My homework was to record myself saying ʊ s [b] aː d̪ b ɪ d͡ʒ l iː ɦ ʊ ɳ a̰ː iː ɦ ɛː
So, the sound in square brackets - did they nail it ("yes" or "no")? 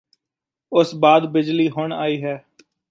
yes